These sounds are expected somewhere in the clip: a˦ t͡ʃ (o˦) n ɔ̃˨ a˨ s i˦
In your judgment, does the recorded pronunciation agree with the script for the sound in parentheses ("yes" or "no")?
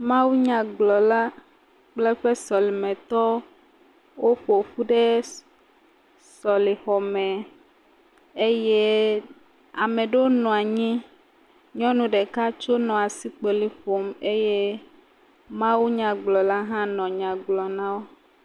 yes